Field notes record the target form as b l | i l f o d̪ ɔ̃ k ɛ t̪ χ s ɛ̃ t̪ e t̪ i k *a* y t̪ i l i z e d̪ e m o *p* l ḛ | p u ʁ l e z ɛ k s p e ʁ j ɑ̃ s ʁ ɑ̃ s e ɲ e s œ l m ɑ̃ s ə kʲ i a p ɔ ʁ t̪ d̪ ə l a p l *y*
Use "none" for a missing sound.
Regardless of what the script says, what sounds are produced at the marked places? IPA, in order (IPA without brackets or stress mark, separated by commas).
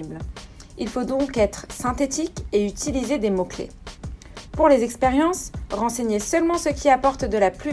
e, k, y